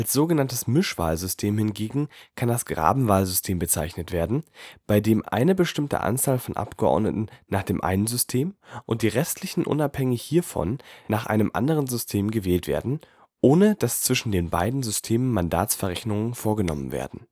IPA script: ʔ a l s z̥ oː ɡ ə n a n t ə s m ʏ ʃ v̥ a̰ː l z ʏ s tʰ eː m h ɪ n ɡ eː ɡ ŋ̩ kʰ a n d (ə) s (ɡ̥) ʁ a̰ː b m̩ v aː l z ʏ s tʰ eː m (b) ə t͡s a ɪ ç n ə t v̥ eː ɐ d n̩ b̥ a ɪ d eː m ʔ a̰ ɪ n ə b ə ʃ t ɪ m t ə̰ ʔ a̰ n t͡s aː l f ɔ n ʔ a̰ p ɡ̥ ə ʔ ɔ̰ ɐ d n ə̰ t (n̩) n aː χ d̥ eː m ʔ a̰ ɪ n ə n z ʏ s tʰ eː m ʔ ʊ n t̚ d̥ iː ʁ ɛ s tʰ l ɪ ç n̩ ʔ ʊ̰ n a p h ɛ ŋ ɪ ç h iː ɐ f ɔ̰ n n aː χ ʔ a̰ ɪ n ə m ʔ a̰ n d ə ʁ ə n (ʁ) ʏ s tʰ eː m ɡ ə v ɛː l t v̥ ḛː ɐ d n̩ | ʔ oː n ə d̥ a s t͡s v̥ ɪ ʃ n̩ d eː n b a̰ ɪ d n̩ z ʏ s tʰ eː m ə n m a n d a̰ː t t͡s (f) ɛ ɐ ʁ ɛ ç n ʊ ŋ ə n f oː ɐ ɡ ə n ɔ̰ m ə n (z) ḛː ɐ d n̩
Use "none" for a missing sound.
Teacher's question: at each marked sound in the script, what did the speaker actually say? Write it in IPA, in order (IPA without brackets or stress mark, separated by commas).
a, ɡ̥, b, n̩, z, f, v